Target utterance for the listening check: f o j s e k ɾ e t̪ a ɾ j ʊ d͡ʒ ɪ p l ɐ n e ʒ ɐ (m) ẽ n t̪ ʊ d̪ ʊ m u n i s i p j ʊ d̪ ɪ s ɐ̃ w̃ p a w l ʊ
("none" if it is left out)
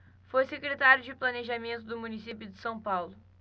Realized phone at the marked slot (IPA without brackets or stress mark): m